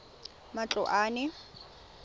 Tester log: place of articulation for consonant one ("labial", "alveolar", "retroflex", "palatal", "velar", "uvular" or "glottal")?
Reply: labial